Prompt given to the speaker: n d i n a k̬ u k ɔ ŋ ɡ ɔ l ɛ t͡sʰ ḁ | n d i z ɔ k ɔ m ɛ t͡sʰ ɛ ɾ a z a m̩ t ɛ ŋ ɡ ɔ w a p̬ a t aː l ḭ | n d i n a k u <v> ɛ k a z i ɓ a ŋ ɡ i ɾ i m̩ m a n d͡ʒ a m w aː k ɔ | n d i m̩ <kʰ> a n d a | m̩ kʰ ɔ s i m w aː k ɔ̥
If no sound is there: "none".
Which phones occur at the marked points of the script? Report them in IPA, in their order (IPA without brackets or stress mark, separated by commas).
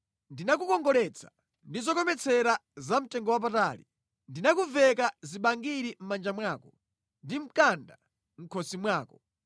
v, k